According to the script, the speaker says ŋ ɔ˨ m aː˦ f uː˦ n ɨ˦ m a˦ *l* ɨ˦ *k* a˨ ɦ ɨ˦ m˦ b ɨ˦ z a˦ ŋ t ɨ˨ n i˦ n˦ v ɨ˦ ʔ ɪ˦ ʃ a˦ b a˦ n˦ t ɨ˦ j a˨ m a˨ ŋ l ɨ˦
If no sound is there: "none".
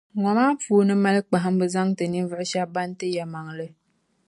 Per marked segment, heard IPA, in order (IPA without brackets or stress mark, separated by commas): l, k͡p